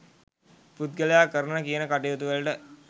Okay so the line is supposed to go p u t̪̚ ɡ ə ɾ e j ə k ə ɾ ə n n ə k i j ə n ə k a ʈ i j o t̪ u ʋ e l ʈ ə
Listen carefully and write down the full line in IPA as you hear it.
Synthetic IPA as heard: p u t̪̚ ɡ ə l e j a k ə ɾ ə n n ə k i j ə n ə k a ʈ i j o t̪ u ʋ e l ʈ ə